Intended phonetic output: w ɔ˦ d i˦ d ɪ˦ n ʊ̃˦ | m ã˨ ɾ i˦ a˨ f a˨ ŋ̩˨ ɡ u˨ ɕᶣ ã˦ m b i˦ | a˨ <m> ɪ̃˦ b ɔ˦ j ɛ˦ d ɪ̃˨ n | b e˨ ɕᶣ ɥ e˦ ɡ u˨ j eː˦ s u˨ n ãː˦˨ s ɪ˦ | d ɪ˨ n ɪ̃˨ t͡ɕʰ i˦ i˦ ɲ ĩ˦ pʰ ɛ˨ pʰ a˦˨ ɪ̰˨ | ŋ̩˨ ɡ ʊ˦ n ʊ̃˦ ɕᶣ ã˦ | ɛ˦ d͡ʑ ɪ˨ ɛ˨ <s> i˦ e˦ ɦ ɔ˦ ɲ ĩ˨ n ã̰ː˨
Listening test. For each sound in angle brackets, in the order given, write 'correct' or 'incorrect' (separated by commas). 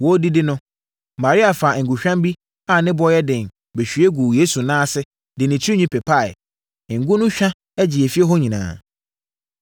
incorrect, incorrect